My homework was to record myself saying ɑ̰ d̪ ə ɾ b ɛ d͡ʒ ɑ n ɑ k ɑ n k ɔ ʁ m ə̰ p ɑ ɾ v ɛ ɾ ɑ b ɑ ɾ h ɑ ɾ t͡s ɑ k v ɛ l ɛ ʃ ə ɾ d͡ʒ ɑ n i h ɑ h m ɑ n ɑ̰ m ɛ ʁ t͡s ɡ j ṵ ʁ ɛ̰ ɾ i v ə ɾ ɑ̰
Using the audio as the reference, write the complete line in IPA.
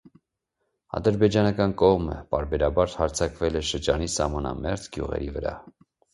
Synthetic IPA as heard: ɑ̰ d̪ ə ɾ b ɛ d͡ʒ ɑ n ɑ k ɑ n k ɔ ʁ m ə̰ p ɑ ɾ b ɛ ɾ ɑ b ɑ ɾ h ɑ ɾ t͡sʰ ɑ k v ɛ l ɛ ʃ ə ɾ d͡ʒ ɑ n i s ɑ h m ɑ n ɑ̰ m ɛ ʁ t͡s ɡ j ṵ ʁ ɛ̰ ɾ i v ə ɾ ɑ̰